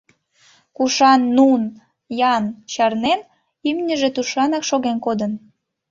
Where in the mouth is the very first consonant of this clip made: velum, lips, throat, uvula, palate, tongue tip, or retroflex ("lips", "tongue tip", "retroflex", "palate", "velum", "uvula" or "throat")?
velum